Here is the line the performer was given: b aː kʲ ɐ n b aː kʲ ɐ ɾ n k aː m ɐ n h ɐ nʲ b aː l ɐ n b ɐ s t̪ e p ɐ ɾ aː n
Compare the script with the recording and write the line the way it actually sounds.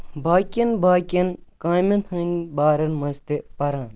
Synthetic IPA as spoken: b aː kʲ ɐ n b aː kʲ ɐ n k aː m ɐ n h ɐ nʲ b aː ɾ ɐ n m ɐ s t̪ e p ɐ ɾ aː n